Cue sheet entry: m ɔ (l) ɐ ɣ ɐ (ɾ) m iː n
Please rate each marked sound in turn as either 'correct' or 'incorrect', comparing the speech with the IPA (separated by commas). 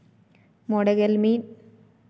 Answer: incorrect, incorrect